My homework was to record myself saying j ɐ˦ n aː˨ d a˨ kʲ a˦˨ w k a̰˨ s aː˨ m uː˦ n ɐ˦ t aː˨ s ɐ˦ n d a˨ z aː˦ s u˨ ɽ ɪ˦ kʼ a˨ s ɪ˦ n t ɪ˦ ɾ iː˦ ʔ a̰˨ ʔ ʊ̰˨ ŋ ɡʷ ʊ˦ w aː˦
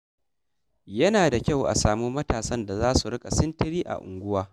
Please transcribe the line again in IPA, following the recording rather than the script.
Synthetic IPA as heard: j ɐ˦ n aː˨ d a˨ kʲ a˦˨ w ʔ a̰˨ s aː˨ m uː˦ m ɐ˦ t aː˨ s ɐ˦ n d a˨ z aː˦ s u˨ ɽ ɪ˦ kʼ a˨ s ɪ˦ n t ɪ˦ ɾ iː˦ ʔ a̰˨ ʔ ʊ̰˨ ŋ ɡʷ ʊ˦ w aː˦